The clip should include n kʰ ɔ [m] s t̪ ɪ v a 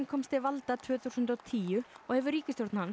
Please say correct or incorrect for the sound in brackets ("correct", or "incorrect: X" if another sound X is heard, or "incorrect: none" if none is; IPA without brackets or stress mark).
correct